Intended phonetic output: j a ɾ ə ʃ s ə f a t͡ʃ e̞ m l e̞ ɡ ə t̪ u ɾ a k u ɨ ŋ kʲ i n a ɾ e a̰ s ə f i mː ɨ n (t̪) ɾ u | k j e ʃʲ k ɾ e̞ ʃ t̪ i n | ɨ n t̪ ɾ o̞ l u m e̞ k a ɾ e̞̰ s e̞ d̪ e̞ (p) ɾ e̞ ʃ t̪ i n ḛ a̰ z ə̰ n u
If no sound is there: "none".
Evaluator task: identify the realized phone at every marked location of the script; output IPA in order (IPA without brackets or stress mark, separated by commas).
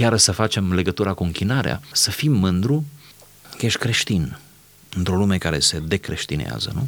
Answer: d̪, k